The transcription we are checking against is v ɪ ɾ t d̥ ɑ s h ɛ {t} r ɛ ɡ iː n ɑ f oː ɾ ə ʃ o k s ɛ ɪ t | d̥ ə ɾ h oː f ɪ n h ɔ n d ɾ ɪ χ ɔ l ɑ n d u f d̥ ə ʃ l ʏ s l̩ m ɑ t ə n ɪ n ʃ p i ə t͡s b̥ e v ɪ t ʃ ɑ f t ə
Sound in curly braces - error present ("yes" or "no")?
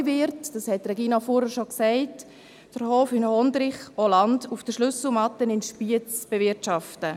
no